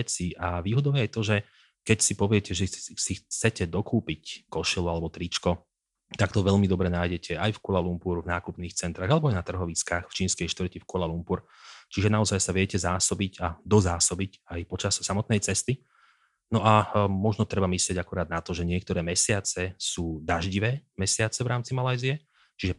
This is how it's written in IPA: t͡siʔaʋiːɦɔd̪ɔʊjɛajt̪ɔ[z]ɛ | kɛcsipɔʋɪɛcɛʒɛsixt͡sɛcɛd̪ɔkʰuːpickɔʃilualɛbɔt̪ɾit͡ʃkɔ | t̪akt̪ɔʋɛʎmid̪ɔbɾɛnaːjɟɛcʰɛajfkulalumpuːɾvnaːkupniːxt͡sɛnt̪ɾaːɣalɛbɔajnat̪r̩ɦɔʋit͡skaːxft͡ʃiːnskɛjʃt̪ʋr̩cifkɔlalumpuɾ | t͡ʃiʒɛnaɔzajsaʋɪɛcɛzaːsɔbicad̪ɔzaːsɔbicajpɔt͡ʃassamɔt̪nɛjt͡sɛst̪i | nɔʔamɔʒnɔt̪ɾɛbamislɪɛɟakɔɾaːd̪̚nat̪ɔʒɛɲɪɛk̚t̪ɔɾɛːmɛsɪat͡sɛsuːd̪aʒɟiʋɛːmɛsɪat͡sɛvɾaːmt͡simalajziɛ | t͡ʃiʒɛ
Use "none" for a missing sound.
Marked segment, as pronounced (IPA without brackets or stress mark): ʒ